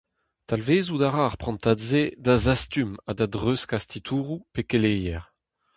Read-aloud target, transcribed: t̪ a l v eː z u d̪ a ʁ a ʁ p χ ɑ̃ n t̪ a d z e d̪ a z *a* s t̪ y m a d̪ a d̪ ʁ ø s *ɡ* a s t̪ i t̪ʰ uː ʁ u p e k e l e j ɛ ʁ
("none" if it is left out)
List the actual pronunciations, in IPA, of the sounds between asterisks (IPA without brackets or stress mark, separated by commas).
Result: a, k